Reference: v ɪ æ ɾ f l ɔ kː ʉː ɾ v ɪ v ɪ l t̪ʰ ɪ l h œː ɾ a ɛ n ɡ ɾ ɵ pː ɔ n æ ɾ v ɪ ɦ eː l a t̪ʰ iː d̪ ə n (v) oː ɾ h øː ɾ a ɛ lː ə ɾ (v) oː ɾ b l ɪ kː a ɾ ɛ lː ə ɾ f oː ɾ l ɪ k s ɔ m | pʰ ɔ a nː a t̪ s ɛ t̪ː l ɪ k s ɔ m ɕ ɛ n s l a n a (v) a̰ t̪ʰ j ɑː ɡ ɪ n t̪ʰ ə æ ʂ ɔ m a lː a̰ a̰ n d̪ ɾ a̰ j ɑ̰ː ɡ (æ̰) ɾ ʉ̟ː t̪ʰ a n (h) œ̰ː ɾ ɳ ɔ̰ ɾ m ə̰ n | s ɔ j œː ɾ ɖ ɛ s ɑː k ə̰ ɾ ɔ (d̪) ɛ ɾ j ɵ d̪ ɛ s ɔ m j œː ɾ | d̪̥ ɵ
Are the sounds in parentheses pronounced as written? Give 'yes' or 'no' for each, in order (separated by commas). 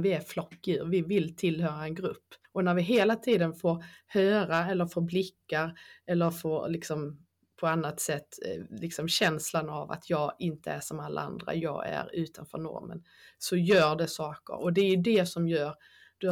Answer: no, no, yes, yes, no, yes